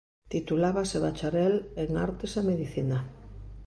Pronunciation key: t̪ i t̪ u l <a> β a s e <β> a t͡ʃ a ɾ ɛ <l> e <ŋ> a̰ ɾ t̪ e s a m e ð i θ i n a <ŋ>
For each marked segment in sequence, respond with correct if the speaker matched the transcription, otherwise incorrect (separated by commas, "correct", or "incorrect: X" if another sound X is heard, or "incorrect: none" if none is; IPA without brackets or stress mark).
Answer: correct, correct, correct, correct, incorrect: none